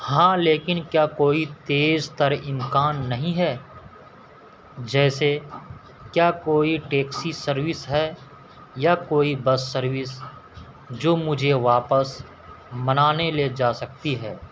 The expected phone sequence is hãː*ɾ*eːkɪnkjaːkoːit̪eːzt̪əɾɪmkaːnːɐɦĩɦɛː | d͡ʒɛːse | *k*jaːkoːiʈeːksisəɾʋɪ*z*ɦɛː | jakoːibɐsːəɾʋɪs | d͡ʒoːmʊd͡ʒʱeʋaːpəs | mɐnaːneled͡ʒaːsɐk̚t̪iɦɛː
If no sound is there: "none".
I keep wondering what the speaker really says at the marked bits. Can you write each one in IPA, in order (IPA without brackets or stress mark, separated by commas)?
l, k, s